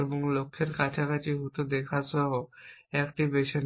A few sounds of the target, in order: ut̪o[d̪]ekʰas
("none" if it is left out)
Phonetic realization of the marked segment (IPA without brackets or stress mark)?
d̪